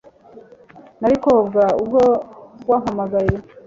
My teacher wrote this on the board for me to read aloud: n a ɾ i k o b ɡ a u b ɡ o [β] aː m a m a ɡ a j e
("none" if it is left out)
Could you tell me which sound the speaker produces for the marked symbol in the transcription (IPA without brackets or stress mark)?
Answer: w